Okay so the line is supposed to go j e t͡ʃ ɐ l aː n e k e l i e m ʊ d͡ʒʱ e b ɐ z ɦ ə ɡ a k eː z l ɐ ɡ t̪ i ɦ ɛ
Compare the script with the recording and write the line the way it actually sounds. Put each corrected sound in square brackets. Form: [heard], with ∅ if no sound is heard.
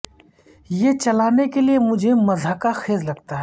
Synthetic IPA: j e t͡ʃ ɐ l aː n e k e l i e m ʊ d͡ʒʱ e [m] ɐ z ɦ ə [k] a [x] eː z l ɐ ɡ t̪ [a] ɦ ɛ